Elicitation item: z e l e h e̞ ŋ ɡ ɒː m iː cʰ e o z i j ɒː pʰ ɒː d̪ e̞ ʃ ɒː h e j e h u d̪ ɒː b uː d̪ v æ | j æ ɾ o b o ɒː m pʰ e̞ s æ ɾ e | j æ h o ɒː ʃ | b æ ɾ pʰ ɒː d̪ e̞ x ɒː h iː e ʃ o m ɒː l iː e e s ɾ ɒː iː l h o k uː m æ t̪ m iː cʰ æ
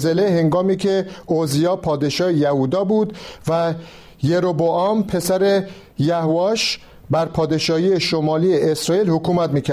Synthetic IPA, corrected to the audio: z e l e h e̞ ŋ ɡ ɒː m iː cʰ e o z i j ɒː pʰ ɒː d̪ e̞ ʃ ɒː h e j æ h u d̪ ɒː b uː d̪ v æ | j e ɾ o b o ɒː m pʰ e̞ s æ ɾ e | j æ h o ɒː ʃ | b æ ɾ pʰ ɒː d̪ e̞ ʃ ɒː h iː e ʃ o m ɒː l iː e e s ɾ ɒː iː l h o k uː m æ t̪ m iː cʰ æ